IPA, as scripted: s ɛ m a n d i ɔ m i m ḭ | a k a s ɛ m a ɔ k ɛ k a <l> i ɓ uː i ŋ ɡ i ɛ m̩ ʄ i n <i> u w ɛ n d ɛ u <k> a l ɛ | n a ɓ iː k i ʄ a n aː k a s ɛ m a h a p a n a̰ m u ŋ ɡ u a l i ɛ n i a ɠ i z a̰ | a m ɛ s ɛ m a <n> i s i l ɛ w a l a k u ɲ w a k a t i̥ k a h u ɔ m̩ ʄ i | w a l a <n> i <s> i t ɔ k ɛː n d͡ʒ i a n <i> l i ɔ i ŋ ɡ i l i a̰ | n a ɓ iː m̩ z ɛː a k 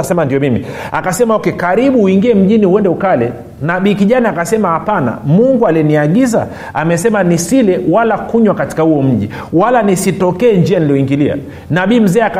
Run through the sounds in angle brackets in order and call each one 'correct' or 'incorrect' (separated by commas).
incorrect, correct, correct, correct, correct, correct, correct